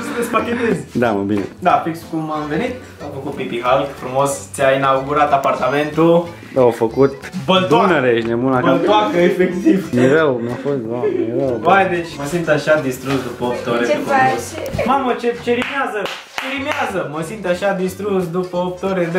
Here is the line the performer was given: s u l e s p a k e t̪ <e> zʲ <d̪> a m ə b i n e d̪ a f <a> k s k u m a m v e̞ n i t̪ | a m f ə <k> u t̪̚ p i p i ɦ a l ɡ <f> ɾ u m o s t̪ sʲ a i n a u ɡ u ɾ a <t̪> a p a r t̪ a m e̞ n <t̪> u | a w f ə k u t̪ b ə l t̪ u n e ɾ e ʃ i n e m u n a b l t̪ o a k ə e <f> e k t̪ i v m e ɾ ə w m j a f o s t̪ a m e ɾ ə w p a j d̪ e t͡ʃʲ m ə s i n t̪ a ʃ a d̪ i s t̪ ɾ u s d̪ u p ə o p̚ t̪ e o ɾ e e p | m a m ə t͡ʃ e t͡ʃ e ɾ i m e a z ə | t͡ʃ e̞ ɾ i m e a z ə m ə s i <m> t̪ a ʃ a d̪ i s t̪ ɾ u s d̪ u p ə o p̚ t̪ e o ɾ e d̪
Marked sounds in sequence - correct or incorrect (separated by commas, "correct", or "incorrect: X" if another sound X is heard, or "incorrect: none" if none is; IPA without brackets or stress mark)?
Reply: correct, correct, incorrect: i, correct, correct, correct, correct, correct, incorrect: n